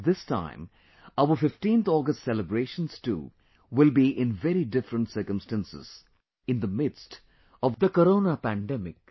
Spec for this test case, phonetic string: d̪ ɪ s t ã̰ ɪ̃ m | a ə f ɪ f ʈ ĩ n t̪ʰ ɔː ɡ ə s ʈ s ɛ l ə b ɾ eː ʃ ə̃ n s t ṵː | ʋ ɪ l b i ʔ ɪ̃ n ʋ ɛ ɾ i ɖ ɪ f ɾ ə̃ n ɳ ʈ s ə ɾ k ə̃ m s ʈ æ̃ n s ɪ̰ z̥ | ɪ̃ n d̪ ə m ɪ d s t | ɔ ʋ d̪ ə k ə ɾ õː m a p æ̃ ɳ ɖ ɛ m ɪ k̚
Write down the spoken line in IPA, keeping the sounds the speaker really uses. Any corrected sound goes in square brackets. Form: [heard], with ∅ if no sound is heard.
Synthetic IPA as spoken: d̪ ɪ s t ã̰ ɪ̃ m | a ə f ɪ f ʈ ĩ n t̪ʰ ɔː ɡ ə s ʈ s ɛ l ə b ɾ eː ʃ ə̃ n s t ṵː | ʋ ɪ l b i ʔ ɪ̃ n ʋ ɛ ɾ i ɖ ɪ f ɾ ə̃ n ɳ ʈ s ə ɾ k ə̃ m s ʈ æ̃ n s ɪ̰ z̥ | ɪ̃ n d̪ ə m ɪ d s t | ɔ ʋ d̪ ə k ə ɾ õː [n] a p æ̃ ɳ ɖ ɛ m ɪ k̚